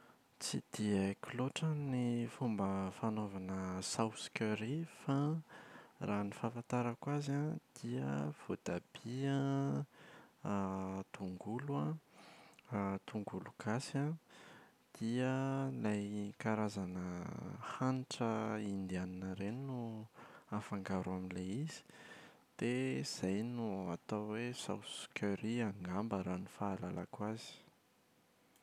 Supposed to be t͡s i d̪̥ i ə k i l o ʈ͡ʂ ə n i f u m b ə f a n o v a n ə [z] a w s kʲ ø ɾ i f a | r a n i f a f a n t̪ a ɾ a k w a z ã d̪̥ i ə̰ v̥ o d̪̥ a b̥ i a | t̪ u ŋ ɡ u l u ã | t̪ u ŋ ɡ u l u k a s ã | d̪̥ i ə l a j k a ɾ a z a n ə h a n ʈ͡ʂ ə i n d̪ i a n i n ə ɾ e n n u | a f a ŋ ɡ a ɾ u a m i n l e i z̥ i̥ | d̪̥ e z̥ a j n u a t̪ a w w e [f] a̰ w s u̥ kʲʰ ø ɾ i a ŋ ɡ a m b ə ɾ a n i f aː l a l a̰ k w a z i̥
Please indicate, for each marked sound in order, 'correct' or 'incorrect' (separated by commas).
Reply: incorrect, incorrect